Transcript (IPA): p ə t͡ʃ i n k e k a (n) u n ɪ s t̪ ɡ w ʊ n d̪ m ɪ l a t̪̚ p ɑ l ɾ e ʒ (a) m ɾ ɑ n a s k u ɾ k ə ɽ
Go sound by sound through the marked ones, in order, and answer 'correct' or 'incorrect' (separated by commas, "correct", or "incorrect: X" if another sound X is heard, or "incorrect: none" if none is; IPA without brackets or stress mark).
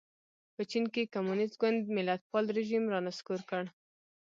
incorrect: m, incorrect: i